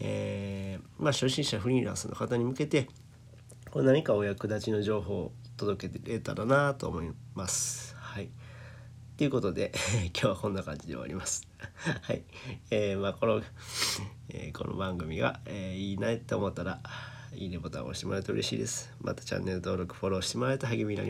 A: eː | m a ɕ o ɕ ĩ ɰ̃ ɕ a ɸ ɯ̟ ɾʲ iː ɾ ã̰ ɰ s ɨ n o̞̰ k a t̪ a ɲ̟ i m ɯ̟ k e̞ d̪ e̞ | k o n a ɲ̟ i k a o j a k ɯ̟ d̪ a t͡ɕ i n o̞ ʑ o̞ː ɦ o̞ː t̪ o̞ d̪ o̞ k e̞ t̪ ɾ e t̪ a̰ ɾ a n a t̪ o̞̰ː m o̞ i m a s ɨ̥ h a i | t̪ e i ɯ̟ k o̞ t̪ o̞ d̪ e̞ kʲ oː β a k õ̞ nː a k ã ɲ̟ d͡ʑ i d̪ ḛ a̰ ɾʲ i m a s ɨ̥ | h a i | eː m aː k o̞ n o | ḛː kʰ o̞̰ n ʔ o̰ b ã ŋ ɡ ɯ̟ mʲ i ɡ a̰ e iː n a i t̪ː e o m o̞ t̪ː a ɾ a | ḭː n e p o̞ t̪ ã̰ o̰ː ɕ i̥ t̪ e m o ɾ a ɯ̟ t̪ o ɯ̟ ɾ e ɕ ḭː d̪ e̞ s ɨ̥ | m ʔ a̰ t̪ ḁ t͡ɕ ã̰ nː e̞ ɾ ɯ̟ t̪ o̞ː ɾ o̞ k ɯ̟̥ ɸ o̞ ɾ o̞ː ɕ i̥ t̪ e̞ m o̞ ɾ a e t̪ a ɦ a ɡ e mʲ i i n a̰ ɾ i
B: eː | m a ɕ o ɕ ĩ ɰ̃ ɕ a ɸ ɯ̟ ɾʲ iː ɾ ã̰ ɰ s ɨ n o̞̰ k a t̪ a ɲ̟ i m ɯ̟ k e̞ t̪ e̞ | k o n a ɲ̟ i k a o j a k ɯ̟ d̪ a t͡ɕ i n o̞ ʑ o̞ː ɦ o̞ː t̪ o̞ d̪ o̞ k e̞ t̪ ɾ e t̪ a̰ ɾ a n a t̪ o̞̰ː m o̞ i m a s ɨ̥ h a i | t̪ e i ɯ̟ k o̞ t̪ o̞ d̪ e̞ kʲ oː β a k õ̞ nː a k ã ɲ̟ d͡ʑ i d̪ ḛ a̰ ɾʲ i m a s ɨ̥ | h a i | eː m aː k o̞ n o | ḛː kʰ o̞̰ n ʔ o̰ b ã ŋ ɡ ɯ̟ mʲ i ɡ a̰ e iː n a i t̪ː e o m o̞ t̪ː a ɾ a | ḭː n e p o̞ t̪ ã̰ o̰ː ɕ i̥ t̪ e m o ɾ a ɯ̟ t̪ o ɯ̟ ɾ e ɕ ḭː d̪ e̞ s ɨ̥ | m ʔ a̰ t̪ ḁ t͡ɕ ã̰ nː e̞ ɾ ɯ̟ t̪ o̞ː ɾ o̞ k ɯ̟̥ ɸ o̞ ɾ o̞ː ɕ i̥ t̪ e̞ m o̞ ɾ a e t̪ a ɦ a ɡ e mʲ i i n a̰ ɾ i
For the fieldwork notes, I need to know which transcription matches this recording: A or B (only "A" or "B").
B